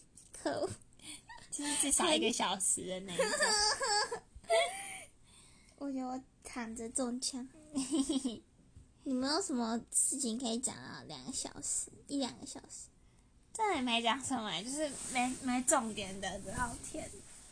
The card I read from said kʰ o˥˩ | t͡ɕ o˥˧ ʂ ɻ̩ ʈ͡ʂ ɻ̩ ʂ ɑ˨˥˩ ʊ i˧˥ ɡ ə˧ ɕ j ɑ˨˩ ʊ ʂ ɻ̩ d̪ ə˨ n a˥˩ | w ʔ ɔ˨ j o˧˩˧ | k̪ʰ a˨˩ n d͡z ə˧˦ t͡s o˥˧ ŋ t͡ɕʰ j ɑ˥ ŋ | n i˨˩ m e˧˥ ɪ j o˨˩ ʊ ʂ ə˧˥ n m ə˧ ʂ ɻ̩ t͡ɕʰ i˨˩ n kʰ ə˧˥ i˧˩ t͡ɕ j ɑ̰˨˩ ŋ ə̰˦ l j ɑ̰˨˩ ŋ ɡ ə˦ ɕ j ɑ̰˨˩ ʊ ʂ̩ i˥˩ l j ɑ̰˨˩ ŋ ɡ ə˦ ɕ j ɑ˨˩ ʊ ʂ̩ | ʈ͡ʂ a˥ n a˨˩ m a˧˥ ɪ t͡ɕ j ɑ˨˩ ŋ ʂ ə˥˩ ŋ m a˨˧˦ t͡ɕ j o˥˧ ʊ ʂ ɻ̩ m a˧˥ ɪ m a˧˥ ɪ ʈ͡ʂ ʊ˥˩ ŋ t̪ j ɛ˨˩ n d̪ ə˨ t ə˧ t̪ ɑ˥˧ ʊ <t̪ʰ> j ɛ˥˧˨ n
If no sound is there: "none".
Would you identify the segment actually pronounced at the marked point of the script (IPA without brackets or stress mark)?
t̪ʰ